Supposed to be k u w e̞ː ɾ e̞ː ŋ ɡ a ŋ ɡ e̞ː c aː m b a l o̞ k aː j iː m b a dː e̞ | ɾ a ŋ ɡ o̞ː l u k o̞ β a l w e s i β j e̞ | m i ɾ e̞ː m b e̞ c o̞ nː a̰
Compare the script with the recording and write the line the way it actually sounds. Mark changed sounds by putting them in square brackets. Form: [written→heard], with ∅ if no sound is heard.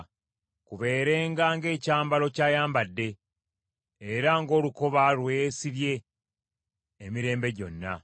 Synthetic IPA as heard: k u [w→β] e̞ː ɾ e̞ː ŋ ɡ a ŋ ɡ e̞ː c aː m b a l o̞ [k→c] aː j [iː→aː] m b a dː e̞ | ɾ a ŋ ɡ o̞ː l u k o̞ β a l w e s i β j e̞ | m i ɾ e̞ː m b e̞ [c→ɟ] o̞ nː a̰